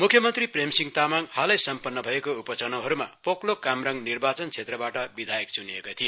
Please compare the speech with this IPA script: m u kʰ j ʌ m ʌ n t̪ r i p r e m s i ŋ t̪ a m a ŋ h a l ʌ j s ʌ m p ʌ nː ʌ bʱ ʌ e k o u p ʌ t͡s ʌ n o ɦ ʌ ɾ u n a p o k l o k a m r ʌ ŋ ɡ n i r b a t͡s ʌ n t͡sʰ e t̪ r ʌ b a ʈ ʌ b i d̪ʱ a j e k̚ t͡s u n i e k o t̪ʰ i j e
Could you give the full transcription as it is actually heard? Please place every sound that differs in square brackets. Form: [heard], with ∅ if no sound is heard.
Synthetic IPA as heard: m u kʰ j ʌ m ʌ n t̪ r i p r e m s i ŋ t̪ a m a ŋ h a l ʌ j s ʌ m p ʌ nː ʌ bʱ ʌ e k o u p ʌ t͡s ʌ n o ɦ ʌ ɾ u [m] a p o k l o k a m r ʌ ŋ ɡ n i r b a t͡s ʌ n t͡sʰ e t̪ r ʌ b a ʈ ʌ b i d̪ʱ a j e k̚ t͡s u n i e k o t̪ʰ i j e

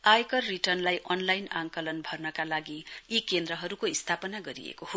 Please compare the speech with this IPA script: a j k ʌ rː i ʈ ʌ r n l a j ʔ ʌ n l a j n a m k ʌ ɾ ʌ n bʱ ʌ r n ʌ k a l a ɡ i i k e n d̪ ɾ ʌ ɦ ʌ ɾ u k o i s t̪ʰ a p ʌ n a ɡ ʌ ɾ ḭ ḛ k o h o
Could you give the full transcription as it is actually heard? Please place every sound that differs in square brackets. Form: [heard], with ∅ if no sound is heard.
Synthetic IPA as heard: a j k ʌ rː i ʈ ʌ r n l a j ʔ ʌ n l a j n a [ŋ] k ʌ [l] ʌ n bʱ ʌ r n ʌ k a l a ɡ i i k e n d̪ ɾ ʌ ɦ ʌ ɾ u k o i s t̪ʰ a p ʌ n a ɡ ʌ ɾ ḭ ḛ k o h o

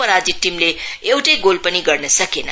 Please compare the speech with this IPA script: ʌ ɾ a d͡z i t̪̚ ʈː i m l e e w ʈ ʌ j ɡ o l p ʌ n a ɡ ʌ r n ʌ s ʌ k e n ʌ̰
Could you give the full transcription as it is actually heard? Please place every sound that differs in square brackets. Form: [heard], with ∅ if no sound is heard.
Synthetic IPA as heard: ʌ ɾ a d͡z i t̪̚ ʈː i m l e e w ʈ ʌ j ɡ o l p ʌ n [i] ɡ ʌ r n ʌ s ʌ k e n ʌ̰

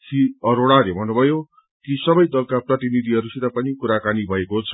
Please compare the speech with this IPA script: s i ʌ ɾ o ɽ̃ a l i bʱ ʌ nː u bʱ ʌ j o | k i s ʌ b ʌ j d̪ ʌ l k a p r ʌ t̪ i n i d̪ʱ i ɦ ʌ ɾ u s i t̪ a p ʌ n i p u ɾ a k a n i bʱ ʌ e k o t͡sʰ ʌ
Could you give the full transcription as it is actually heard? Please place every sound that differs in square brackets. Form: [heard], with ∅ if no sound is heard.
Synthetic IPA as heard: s i ʌ ɾ o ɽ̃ a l [e] bʱ ʌ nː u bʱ ʌ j o | k i s ʌ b ʌ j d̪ ʌ l k a p r ʌ t̪ i n i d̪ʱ i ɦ ʌ ɾ u s i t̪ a p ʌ n i [k] u ɾ a k a n i bʱ ʌ e k o t͡sʰ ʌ

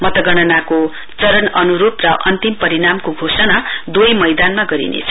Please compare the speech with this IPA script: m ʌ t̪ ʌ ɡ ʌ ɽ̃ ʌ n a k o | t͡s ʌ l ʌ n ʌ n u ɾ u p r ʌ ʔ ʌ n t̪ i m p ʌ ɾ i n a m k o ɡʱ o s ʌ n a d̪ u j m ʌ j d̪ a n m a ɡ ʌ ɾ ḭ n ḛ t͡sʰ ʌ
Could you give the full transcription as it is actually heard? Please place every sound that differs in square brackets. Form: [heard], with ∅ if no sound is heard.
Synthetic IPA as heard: m ʌ t̪ ʌ ɡ ʌ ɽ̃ ʌ n a k o | t͡s ʌ [ɾ] ʌ n ʌ n u ɾ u p r ʌ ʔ ʌ n t̪ i m p ʌ ɾ i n a m k o ɡʱ o s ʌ n a d̪ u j m ʌ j d̪ a n m a ɡ ʌ ɾ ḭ n ḛ t͡sʰ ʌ

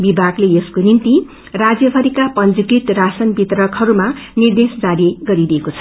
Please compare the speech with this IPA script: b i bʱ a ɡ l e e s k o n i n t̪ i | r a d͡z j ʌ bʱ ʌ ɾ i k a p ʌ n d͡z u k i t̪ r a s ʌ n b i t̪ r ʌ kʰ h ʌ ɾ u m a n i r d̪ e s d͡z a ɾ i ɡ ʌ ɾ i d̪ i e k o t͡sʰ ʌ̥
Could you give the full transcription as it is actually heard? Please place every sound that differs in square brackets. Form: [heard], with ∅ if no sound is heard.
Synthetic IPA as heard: b i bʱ a ɡ l e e s k o n i n t̪ i | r a d͡z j ʌ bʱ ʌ ɾ i k a p ʌ n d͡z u k i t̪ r a s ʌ n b i t̪ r ʌ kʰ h ʌ ɾ u m a n i r d̪ e s d͡z a ɾ i ɡ ʌ ɾ i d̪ i e k o t͡sʰ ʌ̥

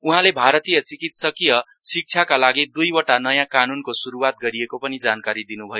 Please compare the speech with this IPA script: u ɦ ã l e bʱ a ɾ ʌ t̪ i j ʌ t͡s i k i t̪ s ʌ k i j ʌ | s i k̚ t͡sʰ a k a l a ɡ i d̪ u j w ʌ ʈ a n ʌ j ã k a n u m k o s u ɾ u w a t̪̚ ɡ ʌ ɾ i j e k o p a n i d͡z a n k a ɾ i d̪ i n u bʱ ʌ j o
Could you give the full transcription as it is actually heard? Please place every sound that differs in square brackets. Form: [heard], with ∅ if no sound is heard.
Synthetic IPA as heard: u ɦ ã l e bʱ a ɾ ʌ t̪ i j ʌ t͡s i k i t̪ s ʌ k i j ʌ | s i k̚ t͡sʰ a k a l a ɡ i d̪ u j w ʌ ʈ a n ʌ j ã k a n u [n] k o s u ɾ u w a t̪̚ ɡ ʌ ɾ i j e k o p [ʌ] n i d͡z a n k a ɾ i d̪ i n u bʱ ʌ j o

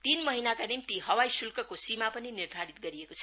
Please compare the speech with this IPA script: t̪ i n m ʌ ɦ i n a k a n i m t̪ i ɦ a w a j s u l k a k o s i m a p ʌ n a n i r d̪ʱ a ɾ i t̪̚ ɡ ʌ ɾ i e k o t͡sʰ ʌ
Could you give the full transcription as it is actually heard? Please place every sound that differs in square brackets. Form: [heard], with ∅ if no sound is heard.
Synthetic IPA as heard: t̪ i n m ʌ ɦ i n a k a n i m t̪ i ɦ [ʌ] w a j s u l k [ʌ] k o s i m a p ʌ n [i] n i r d̪ʱ a ɾ i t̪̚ ɡ ʌ ɾ i e k o t͡sʰ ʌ

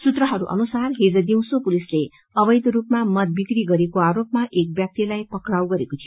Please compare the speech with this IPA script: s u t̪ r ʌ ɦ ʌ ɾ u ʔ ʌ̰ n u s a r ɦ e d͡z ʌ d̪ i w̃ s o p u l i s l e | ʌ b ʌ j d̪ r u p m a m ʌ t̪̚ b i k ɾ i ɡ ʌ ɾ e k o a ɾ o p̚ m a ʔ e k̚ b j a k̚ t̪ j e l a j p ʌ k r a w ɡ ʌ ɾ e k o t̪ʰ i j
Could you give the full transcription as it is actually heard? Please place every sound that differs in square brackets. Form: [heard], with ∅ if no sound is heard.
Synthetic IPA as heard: s u t̪ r ʌ ɦ ʌ ɾ u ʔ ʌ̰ n u s a r ɦ e d͡z ʌ d̪ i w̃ s o p u l i s l e | ʌ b ʌ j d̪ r u p m a m ʌ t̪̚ b i k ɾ i ɡ ʌ ɾ e k o a ɾ o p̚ m a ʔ e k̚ b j a k̚ t̪ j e l a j p ʌ k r a w ɡ ʌ ɾ e k o t̪ʰ i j

